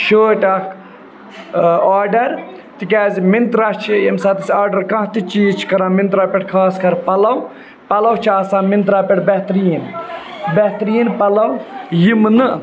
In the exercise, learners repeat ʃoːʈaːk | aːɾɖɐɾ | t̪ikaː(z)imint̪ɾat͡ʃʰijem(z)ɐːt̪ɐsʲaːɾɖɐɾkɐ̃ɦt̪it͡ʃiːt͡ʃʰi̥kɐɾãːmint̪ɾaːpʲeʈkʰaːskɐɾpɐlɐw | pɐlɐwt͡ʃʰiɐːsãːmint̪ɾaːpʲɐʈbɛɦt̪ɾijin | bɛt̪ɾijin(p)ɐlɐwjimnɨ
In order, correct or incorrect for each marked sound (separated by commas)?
correct, incorrect, correct